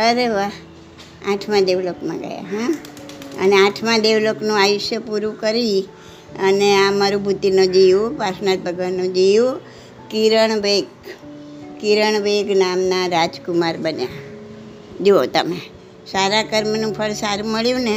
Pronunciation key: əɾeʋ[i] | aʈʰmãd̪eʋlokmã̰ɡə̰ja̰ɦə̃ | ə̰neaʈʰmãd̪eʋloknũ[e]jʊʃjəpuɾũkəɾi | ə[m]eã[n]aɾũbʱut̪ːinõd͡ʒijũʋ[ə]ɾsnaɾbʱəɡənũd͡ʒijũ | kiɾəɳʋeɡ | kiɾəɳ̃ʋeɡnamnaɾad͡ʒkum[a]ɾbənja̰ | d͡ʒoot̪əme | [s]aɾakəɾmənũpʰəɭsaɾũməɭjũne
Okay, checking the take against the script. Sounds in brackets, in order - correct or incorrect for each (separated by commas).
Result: incorrect, incorrect, incorrect, incorrect, incorrect, correct, correct